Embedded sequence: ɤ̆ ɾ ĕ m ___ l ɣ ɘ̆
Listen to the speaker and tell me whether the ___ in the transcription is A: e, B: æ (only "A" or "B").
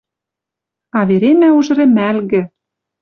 B